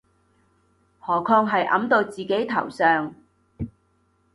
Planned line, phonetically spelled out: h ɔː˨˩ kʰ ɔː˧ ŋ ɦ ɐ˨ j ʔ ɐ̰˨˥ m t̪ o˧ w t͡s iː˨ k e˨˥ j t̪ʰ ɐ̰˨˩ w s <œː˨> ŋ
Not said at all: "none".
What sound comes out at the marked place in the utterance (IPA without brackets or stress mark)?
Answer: œː˨